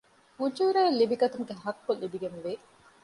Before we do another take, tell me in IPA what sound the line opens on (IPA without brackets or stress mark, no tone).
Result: u